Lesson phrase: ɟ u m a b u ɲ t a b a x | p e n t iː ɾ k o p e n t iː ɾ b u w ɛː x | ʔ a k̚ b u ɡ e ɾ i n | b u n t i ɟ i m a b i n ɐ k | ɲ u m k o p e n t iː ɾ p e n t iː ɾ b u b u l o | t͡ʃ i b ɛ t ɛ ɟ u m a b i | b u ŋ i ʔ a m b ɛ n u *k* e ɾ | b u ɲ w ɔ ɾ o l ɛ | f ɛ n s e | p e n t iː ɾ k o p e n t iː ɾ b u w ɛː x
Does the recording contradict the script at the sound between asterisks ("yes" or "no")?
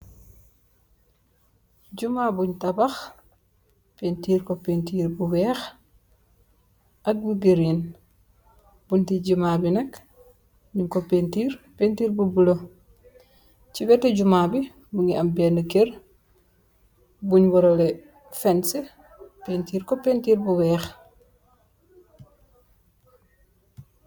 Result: no